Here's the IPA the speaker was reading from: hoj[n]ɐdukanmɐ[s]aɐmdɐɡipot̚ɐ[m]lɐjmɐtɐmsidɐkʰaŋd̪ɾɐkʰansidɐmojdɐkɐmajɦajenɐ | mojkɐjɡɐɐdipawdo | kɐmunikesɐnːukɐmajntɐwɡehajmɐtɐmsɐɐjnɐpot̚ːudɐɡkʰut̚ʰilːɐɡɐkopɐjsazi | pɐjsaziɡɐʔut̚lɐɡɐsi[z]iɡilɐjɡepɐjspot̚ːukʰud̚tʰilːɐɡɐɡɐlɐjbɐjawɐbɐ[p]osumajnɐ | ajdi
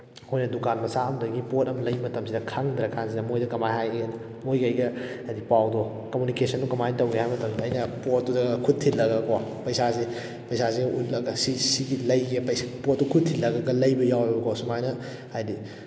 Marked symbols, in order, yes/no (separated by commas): yes, yes, yes, no, no